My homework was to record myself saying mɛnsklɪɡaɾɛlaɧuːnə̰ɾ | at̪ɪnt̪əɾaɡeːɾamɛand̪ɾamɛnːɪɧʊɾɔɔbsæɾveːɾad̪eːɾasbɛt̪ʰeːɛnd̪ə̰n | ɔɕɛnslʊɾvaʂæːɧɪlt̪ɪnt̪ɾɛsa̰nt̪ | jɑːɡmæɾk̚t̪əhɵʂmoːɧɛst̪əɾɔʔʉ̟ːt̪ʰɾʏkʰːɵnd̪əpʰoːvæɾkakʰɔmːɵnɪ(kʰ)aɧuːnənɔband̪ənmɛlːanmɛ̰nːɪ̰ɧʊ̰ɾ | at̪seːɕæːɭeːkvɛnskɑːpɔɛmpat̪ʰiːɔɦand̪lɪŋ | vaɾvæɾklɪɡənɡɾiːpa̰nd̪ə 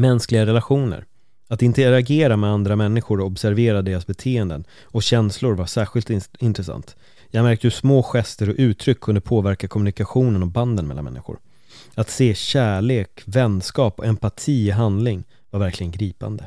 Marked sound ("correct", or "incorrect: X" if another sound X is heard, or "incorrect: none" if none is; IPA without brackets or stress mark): incorrect: k